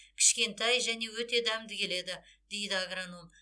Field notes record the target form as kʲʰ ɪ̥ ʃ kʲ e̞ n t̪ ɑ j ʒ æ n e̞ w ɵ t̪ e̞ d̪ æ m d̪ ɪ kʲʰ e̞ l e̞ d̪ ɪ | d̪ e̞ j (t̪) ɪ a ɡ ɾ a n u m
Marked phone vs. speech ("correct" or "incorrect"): incorrect